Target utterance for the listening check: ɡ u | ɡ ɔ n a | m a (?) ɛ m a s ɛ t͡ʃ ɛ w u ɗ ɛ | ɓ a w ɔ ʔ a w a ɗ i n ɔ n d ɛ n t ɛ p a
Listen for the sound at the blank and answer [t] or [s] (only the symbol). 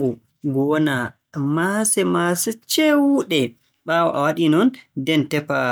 s